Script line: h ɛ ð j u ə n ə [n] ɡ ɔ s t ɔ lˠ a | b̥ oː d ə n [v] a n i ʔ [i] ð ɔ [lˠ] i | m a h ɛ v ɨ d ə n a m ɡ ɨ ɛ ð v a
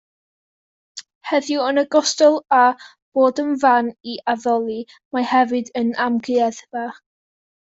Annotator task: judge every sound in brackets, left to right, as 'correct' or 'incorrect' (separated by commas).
incorrect, correct, incorrect, correct